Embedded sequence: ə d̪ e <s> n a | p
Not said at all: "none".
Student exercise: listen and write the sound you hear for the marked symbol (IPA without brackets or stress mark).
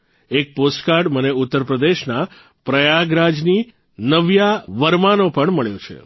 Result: ʃ